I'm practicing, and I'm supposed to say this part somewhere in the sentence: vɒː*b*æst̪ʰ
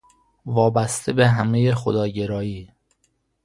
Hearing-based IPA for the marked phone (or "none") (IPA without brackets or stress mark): b